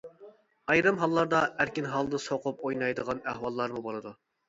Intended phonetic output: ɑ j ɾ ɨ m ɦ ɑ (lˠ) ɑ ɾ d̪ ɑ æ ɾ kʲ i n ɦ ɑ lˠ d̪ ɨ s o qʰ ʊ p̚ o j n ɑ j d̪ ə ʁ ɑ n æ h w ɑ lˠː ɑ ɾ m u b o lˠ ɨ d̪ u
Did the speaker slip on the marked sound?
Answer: yes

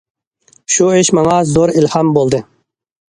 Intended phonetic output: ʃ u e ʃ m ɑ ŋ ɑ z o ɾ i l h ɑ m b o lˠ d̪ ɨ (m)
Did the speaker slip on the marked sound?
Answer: yes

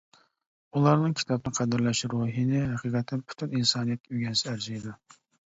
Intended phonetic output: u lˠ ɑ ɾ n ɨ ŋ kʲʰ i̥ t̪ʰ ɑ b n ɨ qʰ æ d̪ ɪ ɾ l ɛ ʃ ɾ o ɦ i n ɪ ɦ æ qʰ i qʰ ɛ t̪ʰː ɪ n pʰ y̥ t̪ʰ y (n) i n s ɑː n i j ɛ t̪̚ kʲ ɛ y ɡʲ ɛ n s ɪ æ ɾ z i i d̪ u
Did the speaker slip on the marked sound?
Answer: no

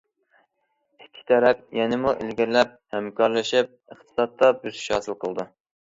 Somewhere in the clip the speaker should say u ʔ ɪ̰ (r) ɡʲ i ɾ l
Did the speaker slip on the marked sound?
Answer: yes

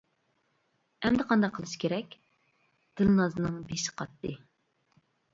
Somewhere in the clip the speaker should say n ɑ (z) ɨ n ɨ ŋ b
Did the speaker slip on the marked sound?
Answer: no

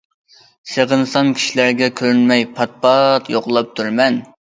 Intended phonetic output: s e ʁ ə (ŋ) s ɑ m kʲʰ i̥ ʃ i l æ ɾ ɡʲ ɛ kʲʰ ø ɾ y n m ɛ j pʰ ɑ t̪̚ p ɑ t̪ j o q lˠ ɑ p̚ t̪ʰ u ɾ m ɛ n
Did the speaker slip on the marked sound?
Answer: yes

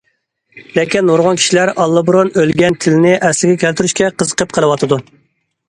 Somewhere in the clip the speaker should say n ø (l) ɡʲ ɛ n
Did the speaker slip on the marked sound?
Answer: no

